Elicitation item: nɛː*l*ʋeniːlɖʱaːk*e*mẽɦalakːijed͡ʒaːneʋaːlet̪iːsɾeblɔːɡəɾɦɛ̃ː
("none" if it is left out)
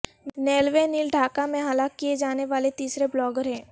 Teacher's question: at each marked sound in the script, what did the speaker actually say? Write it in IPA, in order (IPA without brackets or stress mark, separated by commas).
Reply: l, a